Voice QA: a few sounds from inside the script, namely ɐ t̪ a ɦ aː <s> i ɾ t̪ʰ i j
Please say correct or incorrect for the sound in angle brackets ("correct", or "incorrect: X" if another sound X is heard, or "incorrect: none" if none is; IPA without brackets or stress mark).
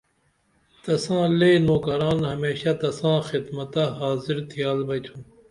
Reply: incorrect: z